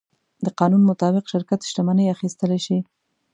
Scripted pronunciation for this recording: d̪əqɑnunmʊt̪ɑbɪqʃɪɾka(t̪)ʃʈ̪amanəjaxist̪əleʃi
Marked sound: correct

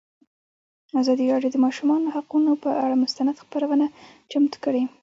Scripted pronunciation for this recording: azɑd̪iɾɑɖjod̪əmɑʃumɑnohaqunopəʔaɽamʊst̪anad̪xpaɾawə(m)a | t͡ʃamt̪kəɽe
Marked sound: incorrect: n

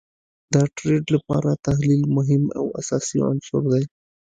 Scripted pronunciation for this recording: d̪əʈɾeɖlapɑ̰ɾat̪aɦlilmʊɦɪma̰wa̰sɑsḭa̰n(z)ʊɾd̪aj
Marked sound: incorrect: s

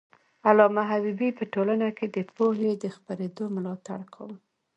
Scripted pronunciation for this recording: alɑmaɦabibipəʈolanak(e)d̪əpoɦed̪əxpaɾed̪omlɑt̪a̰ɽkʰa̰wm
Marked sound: correct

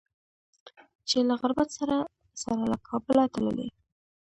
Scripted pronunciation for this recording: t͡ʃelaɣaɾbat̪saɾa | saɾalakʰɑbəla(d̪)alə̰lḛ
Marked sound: incorrect: t̪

